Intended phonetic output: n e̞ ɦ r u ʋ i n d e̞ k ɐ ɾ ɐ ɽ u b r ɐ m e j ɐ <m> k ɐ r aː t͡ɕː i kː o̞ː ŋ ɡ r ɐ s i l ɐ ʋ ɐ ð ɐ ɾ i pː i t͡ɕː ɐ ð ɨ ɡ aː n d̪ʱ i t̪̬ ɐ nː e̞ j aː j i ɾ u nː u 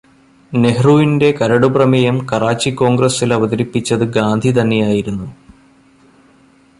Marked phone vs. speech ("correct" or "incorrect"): correct